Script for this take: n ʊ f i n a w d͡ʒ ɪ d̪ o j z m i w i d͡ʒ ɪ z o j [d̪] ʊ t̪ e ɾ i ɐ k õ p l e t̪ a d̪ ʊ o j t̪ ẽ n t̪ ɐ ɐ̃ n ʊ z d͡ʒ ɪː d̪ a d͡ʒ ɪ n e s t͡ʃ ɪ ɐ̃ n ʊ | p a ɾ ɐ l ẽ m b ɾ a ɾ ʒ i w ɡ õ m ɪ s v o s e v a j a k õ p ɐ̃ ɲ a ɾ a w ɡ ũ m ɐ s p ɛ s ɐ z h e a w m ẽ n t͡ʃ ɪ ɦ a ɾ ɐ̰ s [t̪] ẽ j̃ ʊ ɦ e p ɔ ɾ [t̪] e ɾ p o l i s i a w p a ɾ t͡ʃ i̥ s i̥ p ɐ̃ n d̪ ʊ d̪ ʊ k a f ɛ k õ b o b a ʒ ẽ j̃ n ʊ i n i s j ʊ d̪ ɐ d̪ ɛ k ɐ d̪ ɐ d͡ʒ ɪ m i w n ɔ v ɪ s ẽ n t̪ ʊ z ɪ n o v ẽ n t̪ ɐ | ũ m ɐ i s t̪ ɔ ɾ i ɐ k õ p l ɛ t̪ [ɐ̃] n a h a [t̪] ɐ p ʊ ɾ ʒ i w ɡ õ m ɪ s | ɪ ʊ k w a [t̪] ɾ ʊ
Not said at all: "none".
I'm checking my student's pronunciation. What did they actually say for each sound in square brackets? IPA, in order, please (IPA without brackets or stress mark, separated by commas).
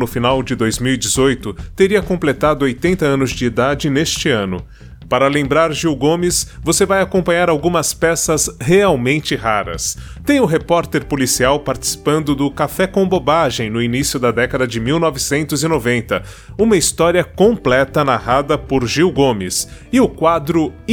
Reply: t̪, t̪, t̪, ɐ, d̪, d̪